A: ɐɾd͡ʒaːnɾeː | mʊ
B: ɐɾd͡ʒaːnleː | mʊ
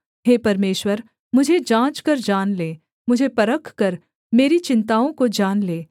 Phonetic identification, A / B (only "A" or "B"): B